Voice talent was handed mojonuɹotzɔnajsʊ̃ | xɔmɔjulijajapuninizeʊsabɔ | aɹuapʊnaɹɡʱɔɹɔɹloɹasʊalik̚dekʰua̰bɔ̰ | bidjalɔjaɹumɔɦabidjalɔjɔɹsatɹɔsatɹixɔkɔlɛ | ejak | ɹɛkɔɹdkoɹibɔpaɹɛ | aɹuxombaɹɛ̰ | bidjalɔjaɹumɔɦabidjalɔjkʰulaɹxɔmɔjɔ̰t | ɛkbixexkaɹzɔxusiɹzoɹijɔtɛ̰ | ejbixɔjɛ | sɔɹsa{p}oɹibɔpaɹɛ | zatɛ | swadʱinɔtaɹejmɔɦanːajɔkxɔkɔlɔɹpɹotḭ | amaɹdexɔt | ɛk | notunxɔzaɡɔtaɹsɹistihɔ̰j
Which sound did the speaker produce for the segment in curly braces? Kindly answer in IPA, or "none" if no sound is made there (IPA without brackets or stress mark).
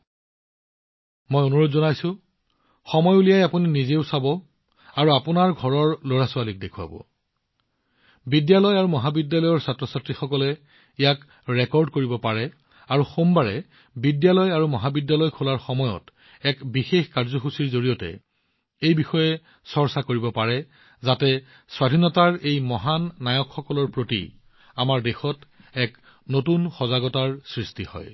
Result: k